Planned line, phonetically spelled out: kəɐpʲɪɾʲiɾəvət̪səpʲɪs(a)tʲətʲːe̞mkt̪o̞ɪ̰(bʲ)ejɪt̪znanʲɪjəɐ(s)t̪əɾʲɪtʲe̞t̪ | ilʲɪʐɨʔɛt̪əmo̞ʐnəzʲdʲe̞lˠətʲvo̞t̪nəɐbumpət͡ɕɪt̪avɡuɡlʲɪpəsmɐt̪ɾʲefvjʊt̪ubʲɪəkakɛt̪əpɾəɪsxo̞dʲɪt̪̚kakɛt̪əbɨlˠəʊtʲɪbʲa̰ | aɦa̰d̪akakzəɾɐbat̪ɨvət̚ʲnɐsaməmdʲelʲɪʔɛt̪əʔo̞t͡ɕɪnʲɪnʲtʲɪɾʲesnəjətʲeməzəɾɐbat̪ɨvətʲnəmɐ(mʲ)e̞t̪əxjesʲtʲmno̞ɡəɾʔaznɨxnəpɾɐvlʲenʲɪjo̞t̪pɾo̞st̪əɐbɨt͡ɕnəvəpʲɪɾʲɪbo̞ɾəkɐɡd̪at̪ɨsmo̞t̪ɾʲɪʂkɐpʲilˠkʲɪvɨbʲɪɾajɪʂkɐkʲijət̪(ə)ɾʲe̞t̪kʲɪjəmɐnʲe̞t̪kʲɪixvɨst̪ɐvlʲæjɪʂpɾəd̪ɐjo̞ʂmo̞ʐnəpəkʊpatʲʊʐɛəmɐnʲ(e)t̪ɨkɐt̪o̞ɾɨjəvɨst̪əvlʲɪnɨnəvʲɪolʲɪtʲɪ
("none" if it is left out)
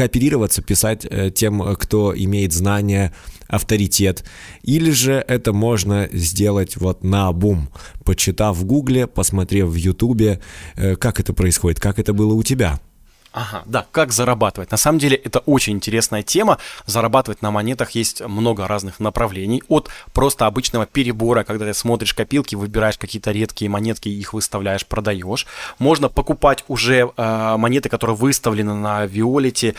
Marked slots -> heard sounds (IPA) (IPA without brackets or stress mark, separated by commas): a, mʲ, f, nʲ, ə, e